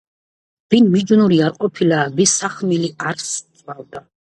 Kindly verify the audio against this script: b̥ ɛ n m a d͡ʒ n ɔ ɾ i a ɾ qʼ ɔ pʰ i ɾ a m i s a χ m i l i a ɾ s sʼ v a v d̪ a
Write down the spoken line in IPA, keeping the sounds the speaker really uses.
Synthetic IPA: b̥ i n m i d͡ʒ n u ɾ i a ɾ qʼ ɔ pʰ i l a b i s a χ m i l i a ɾ s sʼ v a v d̪ a